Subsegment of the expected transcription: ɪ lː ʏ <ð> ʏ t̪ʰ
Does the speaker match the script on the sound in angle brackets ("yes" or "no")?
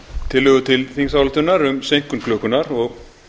no